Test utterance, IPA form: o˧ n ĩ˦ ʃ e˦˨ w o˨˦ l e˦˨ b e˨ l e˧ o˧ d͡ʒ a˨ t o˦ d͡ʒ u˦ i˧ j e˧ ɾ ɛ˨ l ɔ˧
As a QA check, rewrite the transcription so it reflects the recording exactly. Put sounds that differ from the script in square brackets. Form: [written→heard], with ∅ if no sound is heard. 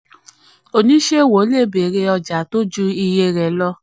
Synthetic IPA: o˧ n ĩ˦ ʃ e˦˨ w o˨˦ l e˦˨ b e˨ [l→ɾ] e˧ [o˧→ɔ˧] d͡ʒ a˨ t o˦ d͡ʒ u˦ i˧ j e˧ ɾ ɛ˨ l ɔ˧